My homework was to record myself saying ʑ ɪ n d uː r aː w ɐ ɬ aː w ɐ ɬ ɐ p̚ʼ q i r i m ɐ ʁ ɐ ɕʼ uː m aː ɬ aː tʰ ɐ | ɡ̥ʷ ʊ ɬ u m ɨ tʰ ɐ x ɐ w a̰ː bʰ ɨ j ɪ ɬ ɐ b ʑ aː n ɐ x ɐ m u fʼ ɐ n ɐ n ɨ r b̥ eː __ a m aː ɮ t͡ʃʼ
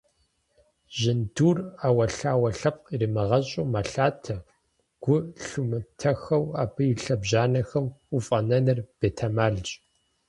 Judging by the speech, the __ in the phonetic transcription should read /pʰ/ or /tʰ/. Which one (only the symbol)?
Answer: tʰ